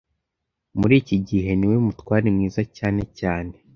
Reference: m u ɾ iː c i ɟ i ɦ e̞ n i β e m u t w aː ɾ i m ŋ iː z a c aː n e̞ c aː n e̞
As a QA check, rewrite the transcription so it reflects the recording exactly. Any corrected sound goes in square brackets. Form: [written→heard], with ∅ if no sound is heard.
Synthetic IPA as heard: m u ɾ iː c i ɟ i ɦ e̞ n i [β→w] e m u t w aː ɾ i m ŋ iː z a c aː n e̞ c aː n e̞